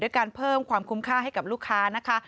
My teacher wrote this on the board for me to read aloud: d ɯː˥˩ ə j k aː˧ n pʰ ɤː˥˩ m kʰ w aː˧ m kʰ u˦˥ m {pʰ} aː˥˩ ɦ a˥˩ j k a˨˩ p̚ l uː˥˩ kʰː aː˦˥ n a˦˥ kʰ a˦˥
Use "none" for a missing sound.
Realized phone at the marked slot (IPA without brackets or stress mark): kʰ